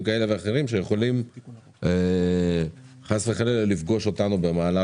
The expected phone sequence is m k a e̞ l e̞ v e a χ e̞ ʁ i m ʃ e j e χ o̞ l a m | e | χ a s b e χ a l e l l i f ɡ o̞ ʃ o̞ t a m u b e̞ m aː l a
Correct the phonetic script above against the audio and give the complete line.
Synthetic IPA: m k a e̞ l e̞ v e a χ e̞ ʁ i m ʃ e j e χ o̞ l i m | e | χ a s v e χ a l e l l i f ɡ o̞ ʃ o̞ t a n u b e̞ m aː l a